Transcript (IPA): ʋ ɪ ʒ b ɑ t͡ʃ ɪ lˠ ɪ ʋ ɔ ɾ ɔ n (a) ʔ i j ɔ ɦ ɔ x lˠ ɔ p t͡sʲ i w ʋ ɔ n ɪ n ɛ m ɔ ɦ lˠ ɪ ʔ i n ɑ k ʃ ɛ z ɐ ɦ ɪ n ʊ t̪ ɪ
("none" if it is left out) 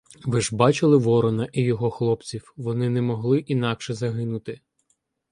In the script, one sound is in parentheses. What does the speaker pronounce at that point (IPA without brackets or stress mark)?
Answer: ɐ